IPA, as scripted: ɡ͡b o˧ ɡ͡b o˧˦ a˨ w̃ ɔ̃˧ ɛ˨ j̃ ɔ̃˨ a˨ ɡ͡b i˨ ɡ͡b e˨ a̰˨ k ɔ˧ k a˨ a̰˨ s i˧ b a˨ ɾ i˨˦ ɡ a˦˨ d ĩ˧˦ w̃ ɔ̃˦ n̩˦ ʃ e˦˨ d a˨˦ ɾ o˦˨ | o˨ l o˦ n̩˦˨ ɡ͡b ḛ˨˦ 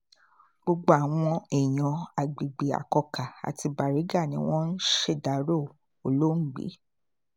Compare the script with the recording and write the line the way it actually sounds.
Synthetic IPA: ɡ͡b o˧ ɡ͡b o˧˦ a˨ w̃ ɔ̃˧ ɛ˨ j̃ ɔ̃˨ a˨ ɡ͡b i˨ ɡ͡b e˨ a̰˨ k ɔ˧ k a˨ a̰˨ t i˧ b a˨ ɾ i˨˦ ɡ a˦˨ n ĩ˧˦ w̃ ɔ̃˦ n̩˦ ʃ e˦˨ d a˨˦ ɾ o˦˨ | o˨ l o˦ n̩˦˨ ɡ͡b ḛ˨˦